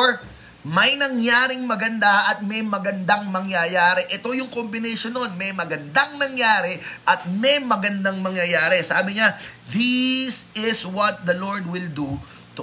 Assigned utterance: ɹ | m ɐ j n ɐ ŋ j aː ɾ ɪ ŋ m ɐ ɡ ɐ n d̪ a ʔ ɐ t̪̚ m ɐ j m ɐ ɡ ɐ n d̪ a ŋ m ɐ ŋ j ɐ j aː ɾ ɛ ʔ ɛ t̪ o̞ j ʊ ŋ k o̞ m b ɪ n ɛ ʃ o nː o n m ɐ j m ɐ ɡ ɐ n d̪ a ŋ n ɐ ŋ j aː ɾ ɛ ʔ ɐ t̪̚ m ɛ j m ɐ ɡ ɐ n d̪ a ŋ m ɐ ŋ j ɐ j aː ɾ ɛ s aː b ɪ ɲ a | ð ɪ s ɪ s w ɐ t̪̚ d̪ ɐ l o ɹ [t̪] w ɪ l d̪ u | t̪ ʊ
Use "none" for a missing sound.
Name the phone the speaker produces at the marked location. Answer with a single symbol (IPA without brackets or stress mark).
d̪